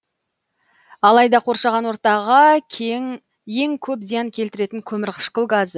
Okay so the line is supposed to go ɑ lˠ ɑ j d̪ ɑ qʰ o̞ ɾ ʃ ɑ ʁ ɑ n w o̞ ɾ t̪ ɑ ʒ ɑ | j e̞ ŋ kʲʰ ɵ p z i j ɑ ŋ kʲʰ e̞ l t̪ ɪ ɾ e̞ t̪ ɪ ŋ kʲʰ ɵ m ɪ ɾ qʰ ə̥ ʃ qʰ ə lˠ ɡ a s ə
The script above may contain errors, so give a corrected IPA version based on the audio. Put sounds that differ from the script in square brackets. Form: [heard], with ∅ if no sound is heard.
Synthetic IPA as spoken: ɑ lˠ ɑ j d̪ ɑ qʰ o̞ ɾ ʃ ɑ ʁ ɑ n w o̞ ɾ t̪ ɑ [ʁ] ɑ | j e̞ ŋ kʲʰ ɵ p z i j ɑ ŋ kʲʰ e̞ l t̪ ɪ ɾ e̞ t̪ ɪ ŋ kʲʰ ɵ m ɪ ɾ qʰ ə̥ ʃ [q] ə lˠ ɡ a [z] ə